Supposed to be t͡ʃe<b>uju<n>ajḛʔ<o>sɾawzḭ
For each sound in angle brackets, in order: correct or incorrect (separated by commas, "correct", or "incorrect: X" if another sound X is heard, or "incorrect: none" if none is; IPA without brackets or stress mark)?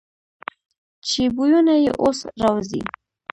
correct, correct, correct